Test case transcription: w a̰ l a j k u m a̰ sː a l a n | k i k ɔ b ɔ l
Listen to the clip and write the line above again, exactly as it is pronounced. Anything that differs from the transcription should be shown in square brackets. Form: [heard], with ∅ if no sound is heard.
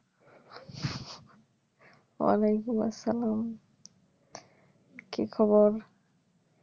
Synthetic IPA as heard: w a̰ l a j k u m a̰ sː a l a [m] | k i [kʰ] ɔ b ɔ [ɾ]